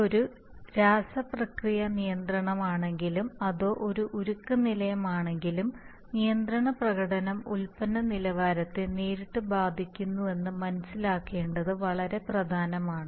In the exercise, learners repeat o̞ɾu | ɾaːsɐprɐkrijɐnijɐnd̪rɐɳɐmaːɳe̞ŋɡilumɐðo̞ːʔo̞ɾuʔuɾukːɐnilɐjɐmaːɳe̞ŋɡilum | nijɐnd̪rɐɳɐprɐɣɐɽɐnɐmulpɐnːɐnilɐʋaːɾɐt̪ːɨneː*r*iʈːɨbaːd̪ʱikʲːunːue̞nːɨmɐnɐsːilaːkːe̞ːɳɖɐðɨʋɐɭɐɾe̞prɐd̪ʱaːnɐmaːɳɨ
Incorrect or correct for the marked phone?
incorrect: ɾ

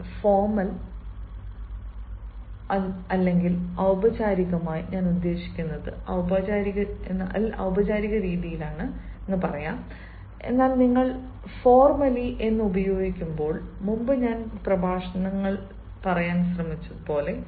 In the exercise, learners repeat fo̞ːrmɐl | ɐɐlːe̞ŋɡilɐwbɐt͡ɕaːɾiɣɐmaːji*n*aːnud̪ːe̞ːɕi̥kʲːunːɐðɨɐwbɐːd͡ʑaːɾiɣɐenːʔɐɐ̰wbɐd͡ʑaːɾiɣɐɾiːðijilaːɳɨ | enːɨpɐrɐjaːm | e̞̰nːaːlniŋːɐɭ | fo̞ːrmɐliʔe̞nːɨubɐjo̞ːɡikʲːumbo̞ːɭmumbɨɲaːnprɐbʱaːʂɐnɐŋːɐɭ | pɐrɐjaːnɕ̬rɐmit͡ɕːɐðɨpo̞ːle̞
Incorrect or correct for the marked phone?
incorrect: ɲ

